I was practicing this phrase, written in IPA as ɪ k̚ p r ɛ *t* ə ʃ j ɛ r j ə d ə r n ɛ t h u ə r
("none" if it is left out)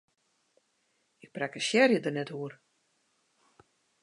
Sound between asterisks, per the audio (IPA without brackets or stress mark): k